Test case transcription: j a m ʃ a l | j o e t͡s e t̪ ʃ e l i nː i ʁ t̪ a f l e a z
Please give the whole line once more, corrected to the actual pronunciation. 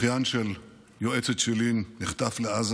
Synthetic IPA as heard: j a n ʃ e l | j o e t͡s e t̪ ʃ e l i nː i χ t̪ a f l e a z